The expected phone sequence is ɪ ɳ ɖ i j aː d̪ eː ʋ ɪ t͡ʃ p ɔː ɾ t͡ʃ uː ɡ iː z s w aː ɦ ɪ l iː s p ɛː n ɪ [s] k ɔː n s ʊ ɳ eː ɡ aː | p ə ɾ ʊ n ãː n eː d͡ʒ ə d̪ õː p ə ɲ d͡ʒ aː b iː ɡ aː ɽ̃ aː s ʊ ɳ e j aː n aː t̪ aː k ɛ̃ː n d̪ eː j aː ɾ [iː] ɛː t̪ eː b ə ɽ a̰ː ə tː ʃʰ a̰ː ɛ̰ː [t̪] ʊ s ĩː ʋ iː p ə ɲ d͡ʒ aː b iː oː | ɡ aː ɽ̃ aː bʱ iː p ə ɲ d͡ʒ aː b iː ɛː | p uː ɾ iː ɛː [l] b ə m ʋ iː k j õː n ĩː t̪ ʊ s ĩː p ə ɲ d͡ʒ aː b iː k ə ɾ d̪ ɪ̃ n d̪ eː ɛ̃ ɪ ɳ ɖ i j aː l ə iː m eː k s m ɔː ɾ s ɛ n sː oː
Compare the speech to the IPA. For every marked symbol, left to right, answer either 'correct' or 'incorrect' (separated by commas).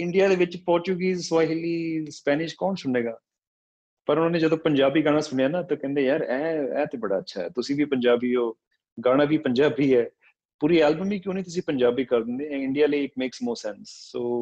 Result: incorrect, incorrect, correct, correct